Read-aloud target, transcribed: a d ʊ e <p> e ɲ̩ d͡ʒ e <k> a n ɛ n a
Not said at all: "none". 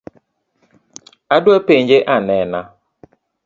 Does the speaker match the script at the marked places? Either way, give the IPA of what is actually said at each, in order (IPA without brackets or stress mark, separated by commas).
p, ʔ